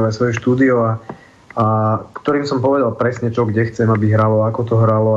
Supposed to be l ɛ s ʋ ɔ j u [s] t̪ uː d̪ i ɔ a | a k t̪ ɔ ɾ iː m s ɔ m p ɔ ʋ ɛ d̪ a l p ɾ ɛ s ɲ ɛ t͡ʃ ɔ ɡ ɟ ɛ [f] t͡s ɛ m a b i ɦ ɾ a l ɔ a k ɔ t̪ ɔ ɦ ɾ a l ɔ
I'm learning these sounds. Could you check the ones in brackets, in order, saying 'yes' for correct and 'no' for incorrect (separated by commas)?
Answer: no, no